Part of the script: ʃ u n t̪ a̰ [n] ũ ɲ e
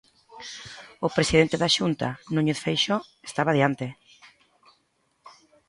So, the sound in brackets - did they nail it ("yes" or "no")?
yes